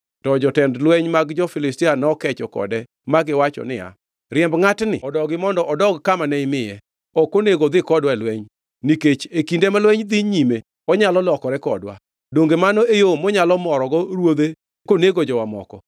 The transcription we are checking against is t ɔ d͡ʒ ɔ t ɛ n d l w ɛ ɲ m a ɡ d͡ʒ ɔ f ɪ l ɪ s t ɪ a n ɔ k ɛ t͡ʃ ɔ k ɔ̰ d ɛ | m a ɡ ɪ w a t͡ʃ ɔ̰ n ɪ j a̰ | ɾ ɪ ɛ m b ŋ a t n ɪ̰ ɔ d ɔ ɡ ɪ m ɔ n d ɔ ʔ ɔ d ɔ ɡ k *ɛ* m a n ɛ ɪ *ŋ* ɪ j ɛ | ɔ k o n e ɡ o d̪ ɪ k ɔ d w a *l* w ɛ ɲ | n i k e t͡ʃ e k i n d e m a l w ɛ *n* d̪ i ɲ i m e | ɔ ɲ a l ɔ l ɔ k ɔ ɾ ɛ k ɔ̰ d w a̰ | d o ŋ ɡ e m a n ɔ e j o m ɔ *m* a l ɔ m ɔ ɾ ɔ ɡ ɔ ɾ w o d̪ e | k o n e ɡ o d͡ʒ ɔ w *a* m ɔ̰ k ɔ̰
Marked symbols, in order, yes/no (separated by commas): no, no, yes, no, no, yes